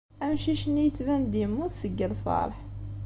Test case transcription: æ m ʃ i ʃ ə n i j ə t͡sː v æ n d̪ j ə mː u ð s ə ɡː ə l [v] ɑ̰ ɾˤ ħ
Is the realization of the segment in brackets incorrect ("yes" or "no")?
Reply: yes